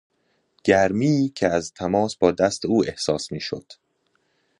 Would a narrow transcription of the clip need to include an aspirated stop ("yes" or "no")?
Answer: yes